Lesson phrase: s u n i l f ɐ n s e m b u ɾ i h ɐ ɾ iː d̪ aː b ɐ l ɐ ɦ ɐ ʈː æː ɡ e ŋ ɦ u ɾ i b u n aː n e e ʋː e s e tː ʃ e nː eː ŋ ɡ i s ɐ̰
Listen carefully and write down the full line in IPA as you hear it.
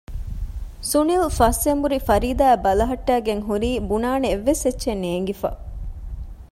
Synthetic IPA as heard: s u n i l f ɐ s e m b u ɾ i f ɐ ɾ iː d̪ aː b ɐ l ɐ ɦ ɐ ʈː æː ɡ e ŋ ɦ u ɾ iː b u n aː n e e ʋː e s e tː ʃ e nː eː ŋ ɡ i f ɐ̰